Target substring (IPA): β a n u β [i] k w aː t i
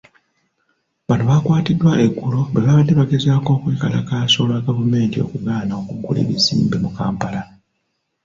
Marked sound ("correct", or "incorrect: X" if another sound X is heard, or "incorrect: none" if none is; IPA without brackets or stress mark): incorrect: a